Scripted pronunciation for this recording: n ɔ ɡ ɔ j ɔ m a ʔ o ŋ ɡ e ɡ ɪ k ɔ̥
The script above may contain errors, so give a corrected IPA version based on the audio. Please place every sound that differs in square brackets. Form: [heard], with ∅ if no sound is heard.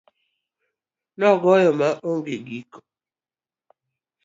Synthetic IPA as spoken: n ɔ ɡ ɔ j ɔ m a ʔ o ŋ ɡ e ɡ [i] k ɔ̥